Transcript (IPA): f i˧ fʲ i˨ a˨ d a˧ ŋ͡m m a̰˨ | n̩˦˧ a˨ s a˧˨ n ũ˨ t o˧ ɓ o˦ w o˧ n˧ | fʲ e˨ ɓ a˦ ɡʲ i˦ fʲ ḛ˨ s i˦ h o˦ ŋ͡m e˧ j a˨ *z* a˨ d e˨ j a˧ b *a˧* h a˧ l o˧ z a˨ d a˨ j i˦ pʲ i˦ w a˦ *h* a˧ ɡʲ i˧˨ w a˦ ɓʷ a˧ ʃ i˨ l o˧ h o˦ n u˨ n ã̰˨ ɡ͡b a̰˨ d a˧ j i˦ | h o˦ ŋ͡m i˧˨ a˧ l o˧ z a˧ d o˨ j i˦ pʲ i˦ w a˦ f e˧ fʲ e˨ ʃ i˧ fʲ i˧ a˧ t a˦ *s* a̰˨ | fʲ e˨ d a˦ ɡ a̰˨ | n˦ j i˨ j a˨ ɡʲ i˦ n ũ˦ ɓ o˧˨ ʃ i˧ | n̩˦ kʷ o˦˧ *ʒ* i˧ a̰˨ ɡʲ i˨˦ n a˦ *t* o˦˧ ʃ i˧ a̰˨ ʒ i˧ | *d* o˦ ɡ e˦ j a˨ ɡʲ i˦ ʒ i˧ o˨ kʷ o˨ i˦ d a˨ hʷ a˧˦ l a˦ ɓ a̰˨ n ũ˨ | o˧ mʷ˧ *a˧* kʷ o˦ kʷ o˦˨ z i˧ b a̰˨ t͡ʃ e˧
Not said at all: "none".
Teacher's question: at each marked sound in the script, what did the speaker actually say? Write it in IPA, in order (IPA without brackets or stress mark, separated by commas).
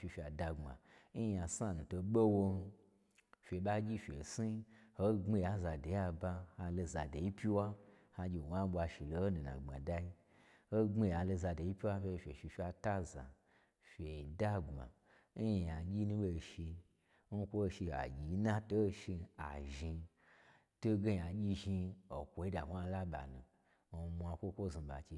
z, a˧, h, z, ʃ, t, t, a˧